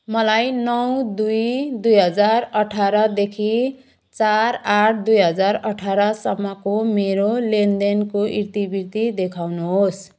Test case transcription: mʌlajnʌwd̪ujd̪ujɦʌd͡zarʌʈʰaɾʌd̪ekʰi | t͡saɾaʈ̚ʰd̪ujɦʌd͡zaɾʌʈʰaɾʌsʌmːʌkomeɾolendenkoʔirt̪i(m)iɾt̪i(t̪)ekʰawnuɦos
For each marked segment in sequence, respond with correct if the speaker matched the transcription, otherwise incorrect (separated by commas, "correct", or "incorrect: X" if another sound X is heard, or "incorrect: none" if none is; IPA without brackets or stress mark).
incorrect: b, incorrect: d̪